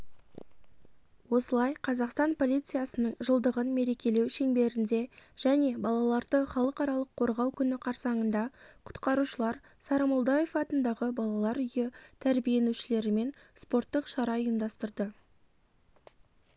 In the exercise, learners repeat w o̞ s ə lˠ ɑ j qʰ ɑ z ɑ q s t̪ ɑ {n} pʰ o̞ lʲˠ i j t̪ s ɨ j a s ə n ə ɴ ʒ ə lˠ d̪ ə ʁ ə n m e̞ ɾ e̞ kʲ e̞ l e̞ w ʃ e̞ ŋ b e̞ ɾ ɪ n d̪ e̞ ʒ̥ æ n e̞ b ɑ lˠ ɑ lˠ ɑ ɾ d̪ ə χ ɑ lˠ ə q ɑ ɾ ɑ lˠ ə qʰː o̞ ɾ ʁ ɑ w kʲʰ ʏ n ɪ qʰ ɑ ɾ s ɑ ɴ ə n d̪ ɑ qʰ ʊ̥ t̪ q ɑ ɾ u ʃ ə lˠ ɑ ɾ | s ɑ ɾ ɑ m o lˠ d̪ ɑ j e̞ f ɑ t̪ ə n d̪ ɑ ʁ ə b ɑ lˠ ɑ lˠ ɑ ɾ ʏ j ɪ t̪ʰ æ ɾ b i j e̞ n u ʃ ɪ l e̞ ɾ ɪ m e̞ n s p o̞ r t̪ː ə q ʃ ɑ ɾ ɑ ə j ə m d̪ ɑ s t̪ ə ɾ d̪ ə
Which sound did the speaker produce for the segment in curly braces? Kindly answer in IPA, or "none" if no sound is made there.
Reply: n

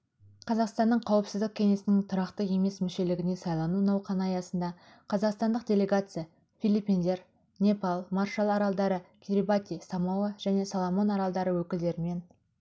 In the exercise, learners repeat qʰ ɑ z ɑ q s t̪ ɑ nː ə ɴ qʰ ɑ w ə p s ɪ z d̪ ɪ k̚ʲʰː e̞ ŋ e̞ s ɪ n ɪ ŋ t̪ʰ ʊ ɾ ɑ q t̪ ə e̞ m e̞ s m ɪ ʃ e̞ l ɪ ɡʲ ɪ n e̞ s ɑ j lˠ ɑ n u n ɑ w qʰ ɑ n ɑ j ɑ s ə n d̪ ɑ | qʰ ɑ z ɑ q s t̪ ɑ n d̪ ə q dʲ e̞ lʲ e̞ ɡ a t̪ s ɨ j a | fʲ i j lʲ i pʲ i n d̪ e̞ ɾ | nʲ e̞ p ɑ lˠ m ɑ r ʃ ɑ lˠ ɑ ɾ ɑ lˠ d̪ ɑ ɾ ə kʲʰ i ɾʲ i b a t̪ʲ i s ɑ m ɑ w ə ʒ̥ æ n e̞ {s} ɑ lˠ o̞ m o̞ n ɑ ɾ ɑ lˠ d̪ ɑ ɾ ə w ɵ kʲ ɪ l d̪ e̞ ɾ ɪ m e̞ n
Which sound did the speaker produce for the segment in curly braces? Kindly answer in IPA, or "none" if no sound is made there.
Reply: s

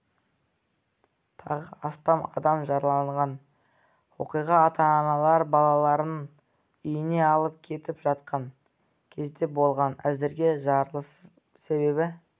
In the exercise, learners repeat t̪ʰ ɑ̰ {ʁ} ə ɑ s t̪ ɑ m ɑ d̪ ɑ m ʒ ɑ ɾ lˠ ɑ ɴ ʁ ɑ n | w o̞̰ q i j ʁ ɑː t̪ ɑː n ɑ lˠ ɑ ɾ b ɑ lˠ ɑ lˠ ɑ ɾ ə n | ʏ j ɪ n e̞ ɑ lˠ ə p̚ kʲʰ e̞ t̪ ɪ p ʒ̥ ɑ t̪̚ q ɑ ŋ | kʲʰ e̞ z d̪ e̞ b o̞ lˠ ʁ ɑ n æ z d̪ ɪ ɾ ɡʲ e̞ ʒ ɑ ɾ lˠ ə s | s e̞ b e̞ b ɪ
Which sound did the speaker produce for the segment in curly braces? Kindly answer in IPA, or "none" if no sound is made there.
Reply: ʁ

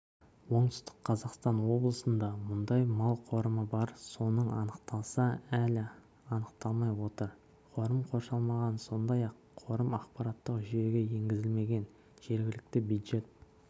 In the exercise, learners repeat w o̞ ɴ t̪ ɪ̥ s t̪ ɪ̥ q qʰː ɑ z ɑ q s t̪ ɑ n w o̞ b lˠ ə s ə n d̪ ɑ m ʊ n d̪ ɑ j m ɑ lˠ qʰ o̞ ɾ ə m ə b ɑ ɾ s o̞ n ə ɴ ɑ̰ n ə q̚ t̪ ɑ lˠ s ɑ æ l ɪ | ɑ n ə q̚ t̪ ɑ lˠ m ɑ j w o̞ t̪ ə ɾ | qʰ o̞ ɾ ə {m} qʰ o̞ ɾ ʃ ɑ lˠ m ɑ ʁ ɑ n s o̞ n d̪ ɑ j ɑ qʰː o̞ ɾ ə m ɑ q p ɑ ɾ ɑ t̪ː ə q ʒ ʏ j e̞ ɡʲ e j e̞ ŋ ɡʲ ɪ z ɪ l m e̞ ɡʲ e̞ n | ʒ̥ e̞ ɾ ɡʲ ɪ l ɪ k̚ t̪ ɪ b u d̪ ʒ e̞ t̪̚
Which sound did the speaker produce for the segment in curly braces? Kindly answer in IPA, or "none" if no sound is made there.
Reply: m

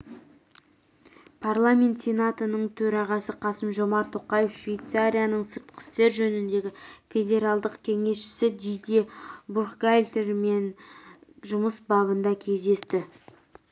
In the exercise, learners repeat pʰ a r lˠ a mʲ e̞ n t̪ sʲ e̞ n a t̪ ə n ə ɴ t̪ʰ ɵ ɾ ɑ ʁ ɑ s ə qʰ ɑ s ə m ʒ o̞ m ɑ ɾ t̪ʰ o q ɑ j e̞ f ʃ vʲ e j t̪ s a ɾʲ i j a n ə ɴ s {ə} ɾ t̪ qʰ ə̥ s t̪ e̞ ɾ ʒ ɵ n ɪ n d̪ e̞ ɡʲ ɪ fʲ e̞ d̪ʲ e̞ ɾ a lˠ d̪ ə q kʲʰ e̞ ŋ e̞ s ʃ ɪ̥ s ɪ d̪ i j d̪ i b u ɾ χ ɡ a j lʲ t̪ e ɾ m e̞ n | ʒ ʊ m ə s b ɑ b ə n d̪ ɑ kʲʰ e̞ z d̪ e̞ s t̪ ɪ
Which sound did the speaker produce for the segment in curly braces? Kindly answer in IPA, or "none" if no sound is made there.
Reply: ə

